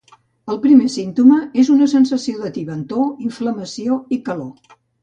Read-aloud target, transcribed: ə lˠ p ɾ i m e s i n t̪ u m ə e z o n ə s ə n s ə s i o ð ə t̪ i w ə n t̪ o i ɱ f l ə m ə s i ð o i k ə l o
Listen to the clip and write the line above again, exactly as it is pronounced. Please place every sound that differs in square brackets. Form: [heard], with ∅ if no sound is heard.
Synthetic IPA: ə lˠ p ɾ i m e s i n t̪ u m ə e z [u] n ə s ə n s ə s i o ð ə t̪ i [β] ə n t̪ o i ɱ f l ə m ə s i [∅] o i k ə l o